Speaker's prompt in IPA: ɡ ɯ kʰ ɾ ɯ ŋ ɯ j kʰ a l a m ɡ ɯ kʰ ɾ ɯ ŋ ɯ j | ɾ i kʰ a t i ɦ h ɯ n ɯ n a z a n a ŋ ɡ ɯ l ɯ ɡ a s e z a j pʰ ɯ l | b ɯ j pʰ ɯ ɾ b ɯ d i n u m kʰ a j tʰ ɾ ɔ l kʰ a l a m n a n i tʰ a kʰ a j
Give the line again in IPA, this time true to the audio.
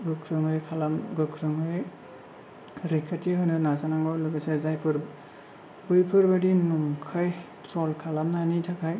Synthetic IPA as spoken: ɡ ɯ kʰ ɾ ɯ ŋ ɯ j kʰ a l a m ɡ ɯ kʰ ɾ ɯ ŋ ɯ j | ɾ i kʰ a t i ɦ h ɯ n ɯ n a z a n a ŋ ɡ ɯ l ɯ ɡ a s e z a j pʰ ɯ ɾ | b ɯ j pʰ ɯ ɾ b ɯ d i n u ŋ kʰ a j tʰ ɾ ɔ l kʰ a l a m n a n i tʰ a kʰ a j